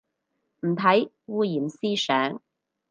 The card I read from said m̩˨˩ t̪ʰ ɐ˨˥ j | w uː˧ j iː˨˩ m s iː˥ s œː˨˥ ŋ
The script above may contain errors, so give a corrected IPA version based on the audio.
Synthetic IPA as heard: m̩˨˩ t̪ʰ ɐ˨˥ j | w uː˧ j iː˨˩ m s iː˥ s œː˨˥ ŋ

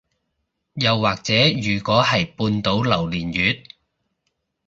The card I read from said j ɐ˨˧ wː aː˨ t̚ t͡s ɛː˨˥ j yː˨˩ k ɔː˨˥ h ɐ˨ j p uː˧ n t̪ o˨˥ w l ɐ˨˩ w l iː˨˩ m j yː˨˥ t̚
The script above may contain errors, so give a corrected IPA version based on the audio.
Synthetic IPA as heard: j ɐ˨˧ wː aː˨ k̚ t͡s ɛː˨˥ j yː˨˩ k ɔː˨˥ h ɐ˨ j p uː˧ n t̪ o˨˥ w l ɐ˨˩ w l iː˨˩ n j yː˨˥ t̚

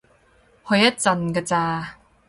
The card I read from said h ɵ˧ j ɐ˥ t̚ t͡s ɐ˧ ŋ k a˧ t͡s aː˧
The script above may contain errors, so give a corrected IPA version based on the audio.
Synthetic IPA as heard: h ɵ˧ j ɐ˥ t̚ t͡s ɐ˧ n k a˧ t͡s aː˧

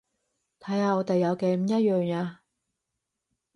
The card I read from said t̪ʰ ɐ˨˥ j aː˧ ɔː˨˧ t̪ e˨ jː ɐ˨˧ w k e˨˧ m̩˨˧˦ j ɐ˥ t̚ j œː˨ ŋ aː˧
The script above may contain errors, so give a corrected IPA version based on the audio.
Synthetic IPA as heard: t̪ʰ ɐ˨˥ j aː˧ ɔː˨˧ t̪ e˨ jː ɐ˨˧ w k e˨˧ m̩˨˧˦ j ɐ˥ t̚ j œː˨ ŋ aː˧

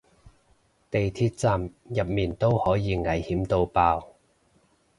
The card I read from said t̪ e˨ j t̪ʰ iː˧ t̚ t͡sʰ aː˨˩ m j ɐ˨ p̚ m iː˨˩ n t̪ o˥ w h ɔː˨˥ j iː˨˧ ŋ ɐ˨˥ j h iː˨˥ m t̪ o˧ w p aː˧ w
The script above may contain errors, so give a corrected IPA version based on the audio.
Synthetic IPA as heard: t̪ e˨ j t̪ʰ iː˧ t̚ t͡s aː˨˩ m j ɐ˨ p̚ m iː˨˩ n t̪ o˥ w h ɔː˨˥ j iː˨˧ ŋ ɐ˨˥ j h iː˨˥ m t̪ o˧ w p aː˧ w

